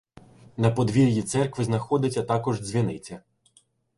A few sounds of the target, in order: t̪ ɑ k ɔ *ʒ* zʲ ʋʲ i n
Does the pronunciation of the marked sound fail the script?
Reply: no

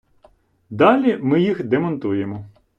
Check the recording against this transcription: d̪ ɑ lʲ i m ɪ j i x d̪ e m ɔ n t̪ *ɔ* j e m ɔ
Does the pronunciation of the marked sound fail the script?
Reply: yes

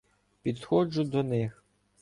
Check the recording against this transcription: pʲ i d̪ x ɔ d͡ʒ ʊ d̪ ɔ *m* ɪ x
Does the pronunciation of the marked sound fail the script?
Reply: yes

